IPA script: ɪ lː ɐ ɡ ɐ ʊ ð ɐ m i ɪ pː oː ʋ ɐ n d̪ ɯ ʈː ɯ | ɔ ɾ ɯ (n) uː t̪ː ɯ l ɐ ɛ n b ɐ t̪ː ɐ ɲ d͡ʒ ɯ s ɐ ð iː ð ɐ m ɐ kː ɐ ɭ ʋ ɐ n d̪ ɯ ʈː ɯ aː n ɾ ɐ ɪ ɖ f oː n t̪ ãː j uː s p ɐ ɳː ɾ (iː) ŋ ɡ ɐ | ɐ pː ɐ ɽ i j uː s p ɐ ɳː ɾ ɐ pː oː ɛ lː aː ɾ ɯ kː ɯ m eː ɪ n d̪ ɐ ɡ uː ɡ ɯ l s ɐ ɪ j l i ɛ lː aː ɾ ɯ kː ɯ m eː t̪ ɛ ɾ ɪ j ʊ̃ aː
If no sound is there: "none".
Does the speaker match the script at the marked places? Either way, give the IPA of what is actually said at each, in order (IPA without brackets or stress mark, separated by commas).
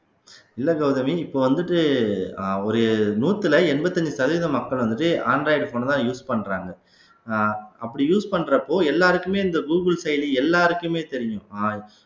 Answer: n, aː